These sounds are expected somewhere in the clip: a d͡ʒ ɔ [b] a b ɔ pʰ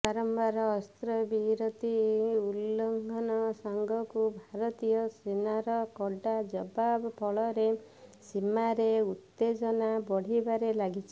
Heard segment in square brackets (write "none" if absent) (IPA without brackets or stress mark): b